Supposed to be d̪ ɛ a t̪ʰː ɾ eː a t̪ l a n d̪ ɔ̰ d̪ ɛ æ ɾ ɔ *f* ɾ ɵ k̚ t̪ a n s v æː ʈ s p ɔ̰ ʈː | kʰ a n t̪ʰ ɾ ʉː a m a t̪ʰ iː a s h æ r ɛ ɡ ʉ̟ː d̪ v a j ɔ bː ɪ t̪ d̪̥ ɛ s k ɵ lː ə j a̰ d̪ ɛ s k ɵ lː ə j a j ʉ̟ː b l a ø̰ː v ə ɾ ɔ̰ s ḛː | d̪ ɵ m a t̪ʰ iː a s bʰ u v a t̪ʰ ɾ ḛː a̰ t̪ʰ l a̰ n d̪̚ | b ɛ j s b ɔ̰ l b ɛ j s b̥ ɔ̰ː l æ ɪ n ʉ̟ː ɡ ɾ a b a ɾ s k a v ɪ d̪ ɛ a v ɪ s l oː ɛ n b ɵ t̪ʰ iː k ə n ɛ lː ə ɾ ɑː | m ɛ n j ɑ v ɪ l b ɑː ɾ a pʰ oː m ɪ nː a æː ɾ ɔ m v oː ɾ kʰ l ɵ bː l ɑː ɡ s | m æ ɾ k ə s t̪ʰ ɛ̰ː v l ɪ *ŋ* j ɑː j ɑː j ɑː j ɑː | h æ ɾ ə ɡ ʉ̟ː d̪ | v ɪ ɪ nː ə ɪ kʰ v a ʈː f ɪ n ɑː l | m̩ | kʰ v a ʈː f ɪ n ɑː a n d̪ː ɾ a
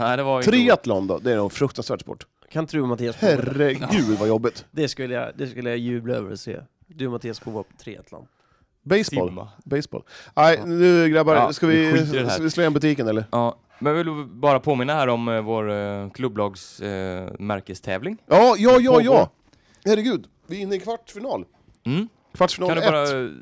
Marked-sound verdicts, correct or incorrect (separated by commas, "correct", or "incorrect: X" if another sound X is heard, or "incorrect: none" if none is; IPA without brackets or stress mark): correct, correct